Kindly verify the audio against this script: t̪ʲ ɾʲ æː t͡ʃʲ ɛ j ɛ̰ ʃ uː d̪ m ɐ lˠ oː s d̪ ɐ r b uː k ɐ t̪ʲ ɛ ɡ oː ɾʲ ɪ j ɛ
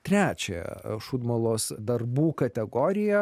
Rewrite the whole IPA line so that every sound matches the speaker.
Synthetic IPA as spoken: t̪ʲ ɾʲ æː t͡ʃʲ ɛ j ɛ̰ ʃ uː d̪ m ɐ lˠ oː s d̪ ɐ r b uː k ɐ t̪ʲ ɛ ɡ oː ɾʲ ɪ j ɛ

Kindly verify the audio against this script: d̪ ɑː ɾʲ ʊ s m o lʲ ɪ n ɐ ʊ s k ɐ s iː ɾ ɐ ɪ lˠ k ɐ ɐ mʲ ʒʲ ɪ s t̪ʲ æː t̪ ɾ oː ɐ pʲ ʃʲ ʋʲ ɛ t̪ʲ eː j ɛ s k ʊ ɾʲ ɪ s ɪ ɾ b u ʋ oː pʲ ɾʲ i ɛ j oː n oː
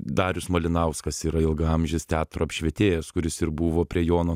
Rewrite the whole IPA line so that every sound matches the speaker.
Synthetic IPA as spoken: d̪ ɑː ɾʲ ʊ s m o lʲ ɪ n ɐ ʊ s k ɐ s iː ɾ ɐ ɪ lˠ ɡ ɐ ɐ mʲ ʒʲ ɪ s t̪ʲ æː t̪ ɾ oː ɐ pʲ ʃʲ ʋʲ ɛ t̪ʲ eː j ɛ s k ʊ ɾʲ ɪ s ɪ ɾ b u ʋ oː pʲ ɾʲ i ɛ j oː n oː

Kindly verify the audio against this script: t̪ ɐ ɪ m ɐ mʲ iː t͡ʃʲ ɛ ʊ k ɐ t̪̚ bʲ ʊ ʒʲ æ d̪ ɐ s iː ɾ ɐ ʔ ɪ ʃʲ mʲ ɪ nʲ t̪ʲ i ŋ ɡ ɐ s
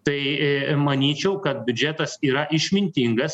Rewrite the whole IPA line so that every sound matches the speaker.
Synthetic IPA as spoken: t̪ ɐ ɪ m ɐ nʲ iː t͡ʃʲ ɛ ʊ k ɐ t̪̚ bʲ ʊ d͡ʒʲ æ t̪ ɐ s iː ɾ ɐ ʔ ɪ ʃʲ mʲ ɪ nʲ t̪ʲ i ŋ ɡ ɐ s

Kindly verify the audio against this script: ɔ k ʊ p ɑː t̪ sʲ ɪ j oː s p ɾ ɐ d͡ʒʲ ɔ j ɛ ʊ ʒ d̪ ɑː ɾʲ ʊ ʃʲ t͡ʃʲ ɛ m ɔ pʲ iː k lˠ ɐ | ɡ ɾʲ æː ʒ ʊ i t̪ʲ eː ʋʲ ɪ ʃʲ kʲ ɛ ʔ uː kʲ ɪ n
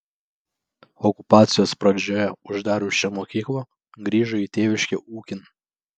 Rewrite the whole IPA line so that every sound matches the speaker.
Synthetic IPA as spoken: ɔ k ʊ p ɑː t̪ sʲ ɪ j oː s p ɾ ɐ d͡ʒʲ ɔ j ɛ ʊ ʒ d̪ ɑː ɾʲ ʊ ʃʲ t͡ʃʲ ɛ m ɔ kʲ iː k lˠ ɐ | ɡ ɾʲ iː ʒ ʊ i t̪ʲ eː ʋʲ ɪ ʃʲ kʲ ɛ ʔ uː kʲ ɪ n

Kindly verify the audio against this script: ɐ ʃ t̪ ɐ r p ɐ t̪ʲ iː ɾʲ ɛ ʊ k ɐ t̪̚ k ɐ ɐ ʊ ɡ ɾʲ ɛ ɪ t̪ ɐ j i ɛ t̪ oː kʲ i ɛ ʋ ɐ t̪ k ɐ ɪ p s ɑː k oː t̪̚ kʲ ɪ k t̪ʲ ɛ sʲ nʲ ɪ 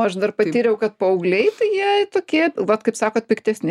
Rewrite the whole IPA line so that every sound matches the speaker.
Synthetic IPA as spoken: ɐ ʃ d̪ ɐ r p ɐ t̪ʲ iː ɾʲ ɛ ʊ k ɐ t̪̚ p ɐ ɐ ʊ ɡ lʲ ɛ ɪ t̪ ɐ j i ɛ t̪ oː kʲ i ɛ ʋ ɐ t̪ k ɐ ɪ p s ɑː k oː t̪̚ pʲ ɪ k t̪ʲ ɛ sʲ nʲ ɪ

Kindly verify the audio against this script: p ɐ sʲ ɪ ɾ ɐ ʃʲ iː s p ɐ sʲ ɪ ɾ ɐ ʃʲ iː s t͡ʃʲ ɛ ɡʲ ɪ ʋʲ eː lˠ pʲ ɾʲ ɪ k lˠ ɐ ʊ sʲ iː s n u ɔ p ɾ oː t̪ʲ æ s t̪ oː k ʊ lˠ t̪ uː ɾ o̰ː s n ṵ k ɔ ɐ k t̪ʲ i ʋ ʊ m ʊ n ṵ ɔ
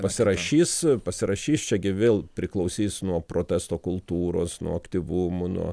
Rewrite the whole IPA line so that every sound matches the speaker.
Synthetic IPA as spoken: p ɐ sʲ ɪ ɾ ɐ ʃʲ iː s p ɐ sʲ ɪ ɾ ɐ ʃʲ iː s t͡ʃʲ ɛ ɡʲ ɪ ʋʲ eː lˠ pʲ ɾʲ ɪ k lˠ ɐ ʊ sʲ iː s n u ɔ p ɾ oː t̪ʲ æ s t̪ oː k ʊ lˠ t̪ uː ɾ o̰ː s n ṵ ɔ ɐ k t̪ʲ i ʋ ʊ m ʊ n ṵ ɔ

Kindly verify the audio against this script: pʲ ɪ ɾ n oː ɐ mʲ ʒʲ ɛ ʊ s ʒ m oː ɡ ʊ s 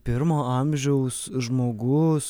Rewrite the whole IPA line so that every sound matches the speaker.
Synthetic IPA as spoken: pʲ ɪ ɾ m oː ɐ mʲ ʒʲ ɛ ʊ s ʒ m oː ɡ ʊ s

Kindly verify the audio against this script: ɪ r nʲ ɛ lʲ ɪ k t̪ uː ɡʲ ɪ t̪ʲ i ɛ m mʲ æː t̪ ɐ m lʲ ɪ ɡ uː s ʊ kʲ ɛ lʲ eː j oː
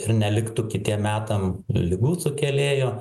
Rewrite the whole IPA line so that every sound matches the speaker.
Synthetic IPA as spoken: ɪ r nʲ ɛ lʲ ɪ k t̪ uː kʲ ɪ t̪ʲ i ɛ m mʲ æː t̪ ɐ m lʲ ɪ ɡ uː s ʊ kʲ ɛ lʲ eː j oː

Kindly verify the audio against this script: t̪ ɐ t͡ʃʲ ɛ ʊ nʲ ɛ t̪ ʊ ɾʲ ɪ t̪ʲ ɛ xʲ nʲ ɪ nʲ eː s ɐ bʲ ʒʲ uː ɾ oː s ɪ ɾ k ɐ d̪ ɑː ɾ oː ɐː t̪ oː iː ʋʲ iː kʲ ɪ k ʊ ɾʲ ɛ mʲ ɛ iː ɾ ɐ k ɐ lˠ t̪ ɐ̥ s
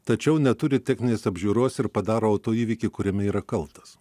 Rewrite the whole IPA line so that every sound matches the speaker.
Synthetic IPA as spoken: t̪ ɐ t͡ʃʲ ɛ ʊ nʲ ɛ t̪ ʊ ɾʲ ɪ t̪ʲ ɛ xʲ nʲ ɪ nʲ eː s ɐ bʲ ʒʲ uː ɾ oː s ɪ ɾ p ɐ d̪ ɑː ɾ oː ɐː t̪ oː iː ʋʲ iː kʲ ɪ k ʊ ɾʲ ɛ mʲ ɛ iː ɾ ɐ k ɐ lˠ t̪ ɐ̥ s

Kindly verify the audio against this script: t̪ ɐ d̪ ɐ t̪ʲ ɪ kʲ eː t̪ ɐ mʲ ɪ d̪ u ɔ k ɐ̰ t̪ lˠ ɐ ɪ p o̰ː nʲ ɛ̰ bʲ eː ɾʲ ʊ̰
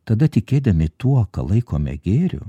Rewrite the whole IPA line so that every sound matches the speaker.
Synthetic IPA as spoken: t̪ ɐ d̪ ɐ t̪ʲ ɪ kʲ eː d̪ ɐ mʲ ɪ t̪ u ɔ k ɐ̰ lˠ ɐ ɪ k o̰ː mʲ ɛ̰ ɡʲ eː ɾʲ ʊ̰

